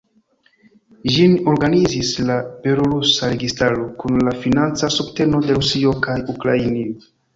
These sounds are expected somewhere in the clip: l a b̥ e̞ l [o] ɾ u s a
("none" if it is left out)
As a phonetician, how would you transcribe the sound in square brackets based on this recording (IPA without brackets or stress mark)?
o